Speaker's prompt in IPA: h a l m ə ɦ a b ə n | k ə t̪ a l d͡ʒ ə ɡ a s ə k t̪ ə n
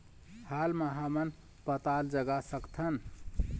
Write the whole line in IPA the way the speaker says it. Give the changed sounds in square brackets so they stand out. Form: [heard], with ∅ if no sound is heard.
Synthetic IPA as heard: h a l m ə ɦ a [m] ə n | [p] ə t̪ a l d͡ʒ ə ɡ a s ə k [t̪ʰ] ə n